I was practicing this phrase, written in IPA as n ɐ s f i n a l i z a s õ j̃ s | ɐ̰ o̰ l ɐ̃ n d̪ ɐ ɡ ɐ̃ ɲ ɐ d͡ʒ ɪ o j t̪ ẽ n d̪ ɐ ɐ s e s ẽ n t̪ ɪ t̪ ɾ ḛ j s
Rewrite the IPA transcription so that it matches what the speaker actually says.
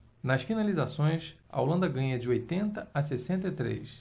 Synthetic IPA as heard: n ɐ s f i n a l i z a s õ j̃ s | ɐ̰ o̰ l ɐ̃ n d̪ ɐ ɡ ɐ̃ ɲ ɐ d͡ʒ ɪ o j t̪ ẽ n t̪ ɐ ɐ s e s ẽ n t̪ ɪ t̪ ɾ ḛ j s